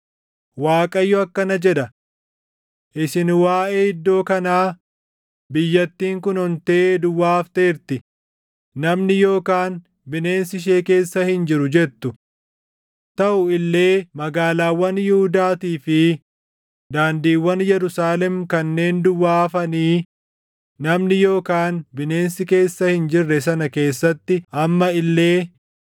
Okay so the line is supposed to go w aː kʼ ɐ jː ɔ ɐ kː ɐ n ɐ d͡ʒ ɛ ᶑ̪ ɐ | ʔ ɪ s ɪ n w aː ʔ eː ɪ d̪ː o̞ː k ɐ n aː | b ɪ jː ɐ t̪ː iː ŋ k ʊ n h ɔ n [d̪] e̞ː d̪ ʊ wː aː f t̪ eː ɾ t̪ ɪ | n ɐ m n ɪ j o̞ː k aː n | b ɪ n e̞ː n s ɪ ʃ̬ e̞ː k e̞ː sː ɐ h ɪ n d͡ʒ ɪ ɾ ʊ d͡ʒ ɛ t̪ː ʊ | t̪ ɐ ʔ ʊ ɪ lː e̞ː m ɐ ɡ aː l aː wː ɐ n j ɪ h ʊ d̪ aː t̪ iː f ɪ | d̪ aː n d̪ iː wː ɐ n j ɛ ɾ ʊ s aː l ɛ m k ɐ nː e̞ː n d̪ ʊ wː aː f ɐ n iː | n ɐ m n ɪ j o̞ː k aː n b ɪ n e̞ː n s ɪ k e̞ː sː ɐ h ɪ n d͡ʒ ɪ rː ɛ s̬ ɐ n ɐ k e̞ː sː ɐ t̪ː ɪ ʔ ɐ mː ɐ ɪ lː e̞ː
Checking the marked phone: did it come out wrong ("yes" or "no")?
yes